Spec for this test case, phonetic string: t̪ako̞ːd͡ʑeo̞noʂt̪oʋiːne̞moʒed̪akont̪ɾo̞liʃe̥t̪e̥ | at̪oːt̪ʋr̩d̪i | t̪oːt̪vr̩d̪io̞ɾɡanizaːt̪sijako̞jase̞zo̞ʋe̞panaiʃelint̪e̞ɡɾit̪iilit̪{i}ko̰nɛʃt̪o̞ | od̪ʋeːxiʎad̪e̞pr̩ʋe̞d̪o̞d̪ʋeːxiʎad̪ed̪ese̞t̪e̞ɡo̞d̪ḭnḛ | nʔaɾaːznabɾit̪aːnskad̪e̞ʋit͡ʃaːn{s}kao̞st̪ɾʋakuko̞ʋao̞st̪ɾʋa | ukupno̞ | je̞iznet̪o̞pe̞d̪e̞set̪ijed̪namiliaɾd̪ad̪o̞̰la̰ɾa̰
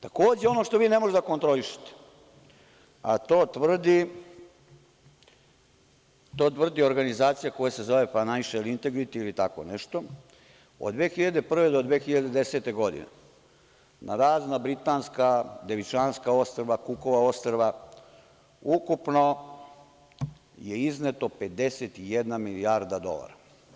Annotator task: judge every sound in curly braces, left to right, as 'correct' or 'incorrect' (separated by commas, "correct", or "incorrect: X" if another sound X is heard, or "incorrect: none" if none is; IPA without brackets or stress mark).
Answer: incorrect: a, correct